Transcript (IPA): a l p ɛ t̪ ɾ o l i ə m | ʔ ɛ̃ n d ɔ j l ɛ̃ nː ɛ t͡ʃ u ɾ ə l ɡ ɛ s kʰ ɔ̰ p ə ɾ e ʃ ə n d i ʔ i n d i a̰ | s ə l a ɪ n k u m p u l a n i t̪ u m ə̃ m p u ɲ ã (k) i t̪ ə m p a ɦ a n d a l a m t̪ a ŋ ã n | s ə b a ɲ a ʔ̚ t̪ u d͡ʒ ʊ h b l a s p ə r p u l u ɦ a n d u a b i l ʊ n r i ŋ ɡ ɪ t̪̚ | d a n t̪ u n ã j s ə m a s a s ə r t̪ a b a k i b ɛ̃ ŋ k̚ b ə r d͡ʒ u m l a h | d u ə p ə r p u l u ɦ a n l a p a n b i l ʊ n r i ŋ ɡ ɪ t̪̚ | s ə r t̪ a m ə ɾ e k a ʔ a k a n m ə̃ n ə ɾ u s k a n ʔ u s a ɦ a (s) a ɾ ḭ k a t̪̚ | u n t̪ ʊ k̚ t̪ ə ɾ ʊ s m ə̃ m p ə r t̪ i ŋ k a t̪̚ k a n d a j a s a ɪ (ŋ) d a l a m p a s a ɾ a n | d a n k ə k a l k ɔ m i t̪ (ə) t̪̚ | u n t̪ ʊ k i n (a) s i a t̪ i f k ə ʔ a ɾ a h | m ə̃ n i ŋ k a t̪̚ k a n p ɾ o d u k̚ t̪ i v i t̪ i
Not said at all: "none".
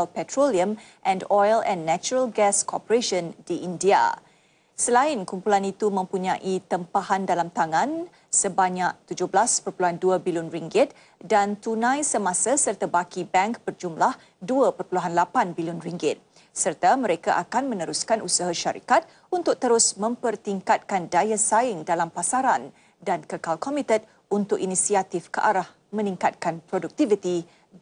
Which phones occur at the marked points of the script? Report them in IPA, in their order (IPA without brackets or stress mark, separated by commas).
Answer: ʔ, ʃ, ŋ, ə, i